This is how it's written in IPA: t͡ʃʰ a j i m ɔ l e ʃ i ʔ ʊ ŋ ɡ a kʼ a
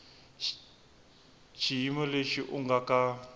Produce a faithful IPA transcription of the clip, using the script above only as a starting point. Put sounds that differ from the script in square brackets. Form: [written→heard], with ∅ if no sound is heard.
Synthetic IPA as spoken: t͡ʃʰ [a→i] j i m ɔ l e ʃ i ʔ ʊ ŋ ɡ a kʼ a

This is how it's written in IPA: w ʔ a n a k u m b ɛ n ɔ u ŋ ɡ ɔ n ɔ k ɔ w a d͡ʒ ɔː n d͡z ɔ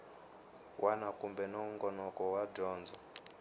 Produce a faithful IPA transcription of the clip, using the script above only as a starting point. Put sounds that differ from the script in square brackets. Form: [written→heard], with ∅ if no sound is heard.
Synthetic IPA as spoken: w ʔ a n a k u m b ɛ n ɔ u ŋ ɡ ɔ n ɔ k ɔ w a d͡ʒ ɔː n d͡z ɔ

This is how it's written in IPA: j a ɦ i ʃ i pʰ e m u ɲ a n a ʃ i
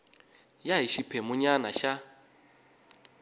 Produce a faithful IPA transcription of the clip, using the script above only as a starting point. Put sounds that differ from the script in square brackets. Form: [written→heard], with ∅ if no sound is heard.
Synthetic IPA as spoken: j a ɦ i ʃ i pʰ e m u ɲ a n a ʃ [i→a]

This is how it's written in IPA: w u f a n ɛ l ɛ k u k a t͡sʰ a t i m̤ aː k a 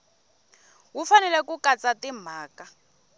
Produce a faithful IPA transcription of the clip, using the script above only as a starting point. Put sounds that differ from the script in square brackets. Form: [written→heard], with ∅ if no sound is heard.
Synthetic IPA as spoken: w u f a n ɛ l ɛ k u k a [t͡sʰ→t͡s] a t i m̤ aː k a

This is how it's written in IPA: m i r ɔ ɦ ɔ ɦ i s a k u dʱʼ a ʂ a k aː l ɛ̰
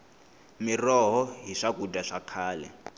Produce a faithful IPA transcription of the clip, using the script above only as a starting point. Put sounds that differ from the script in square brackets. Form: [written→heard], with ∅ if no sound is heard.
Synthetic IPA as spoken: m i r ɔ ɦ ɔ ɦ i [s→ʂ] a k u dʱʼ a ʂ a [k→kʰ] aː l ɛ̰

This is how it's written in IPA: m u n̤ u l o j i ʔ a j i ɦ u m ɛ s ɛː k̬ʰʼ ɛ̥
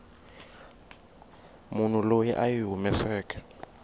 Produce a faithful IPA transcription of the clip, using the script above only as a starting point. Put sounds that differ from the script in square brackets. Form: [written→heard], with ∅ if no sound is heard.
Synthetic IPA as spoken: m u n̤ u l o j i ʔ a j i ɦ u m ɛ s ɛː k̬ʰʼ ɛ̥

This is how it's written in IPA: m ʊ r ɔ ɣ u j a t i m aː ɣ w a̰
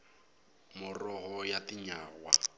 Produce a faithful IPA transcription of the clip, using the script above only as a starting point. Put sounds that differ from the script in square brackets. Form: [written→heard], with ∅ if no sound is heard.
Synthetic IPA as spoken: m ʊ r ɔ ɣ [u→ɔ] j a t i [m→ɲ] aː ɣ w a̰

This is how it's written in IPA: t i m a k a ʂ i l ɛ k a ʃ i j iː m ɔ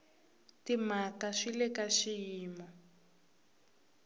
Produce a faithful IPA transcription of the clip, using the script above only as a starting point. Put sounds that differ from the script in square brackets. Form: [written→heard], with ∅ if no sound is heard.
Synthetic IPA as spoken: t i m a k a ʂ i l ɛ k a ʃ i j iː m ɔ

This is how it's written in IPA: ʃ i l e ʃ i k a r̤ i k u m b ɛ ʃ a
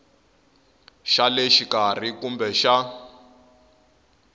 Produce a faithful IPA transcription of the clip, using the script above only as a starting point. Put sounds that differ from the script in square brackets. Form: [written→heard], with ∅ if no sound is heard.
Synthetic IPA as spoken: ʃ [i→a] l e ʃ i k a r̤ i k u m b ɛ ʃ a

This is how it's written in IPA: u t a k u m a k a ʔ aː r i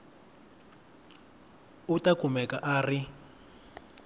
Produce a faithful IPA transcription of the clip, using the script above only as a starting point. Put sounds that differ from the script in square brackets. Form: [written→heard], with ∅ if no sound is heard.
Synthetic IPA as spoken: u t a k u m [a→ɛ] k a ʔ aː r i

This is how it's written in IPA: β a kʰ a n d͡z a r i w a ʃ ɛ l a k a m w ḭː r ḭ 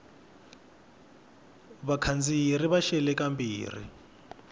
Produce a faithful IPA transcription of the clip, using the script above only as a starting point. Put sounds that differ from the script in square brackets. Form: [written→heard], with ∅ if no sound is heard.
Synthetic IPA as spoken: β a kʰ a n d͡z [a→i] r i [w→β] a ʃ ɛ l [a→ɛ] k a m [w→b] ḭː r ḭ

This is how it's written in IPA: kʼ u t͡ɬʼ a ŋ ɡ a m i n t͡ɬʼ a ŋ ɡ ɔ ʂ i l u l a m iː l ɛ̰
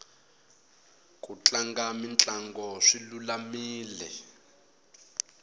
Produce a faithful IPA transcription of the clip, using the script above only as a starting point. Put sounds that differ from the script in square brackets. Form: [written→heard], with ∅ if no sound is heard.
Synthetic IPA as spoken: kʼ u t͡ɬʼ a ŋ ɡ a m i n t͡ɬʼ a ŋ ɡ ɔ ʂ i l u l a m iː l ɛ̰

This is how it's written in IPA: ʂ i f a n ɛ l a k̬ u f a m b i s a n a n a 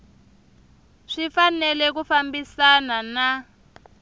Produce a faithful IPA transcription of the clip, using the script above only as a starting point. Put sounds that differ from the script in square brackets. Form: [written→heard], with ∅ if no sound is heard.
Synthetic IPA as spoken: ʂ i f a n ɛ l [a→ɛ] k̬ u f a m b i s a n a n a

